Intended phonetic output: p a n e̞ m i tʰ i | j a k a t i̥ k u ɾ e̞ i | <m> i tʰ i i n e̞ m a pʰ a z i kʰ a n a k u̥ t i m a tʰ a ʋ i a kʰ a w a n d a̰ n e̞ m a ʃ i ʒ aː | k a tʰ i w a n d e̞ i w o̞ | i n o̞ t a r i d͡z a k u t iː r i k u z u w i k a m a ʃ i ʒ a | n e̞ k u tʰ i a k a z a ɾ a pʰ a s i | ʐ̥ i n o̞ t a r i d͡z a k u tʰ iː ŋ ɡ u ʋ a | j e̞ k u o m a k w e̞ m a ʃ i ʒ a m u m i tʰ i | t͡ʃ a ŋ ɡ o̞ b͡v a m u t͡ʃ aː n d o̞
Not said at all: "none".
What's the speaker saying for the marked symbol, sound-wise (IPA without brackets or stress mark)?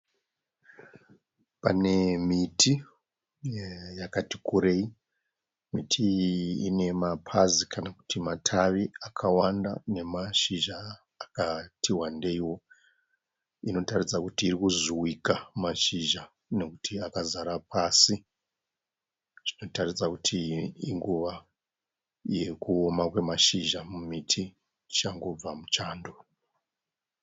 m